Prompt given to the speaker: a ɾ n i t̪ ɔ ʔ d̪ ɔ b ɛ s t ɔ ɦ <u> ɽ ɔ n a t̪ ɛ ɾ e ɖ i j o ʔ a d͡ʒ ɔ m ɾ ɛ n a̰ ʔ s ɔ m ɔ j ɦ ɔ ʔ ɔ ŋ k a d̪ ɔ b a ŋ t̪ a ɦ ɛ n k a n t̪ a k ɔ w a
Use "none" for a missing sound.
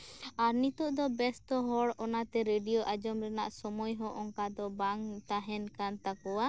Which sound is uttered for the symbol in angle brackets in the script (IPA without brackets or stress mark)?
ɔ